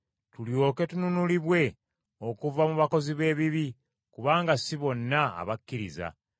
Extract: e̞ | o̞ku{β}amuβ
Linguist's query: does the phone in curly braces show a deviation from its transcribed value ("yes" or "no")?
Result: yes